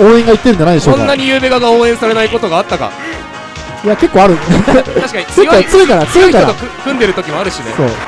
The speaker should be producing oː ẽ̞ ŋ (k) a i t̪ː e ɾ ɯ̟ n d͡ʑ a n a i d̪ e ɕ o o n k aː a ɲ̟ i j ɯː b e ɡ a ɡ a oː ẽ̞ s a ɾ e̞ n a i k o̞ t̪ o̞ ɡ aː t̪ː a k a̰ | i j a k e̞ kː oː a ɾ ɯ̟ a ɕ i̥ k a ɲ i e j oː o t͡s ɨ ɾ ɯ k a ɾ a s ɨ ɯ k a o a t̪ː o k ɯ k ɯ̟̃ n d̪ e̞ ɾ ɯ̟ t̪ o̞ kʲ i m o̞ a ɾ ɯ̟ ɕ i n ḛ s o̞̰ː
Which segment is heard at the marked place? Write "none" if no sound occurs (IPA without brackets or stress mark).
ɡ